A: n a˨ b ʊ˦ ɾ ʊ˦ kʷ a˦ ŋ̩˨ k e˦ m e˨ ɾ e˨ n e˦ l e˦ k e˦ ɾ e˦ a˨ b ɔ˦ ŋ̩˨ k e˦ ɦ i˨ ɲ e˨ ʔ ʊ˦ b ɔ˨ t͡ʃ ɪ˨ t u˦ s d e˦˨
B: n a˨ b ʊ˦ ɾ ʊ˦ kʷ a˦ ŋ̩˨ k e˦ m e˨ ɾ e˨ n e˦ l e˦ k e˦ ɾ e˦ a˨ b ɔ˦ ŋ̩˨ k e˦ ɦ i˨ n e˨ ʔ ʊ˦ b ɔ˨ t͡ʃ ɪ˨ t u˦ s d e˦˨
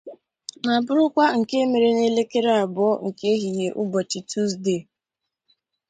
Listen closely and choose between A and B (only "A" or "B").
A